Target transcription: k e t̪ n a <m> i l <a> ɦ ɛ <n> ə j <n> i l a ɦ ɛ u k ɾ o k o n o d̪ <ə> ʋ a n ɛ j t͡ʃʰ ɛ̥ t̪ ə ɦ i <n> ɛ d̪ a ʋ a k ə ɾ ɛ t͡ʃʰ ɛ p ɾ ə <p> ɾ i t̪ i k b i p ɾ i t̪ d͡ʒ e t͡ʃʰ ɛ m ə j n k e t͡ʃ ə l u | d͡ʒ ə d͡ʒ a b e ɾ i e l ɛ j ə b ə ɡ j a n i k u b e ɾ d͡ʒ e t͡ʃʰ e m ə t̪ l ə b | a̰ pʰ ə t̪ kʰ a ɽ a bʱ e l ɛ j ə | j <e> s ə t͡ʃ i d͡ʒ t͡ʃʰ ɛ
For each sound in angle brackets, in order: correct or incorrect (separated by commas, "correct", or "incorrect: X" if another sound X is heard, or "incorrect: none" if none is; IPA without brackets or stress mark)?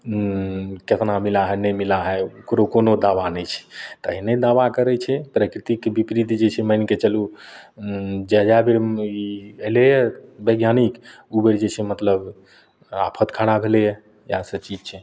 correct, correct, correct, incorrect: m, incorrect: a, correct, incorrect: k, incorrect: a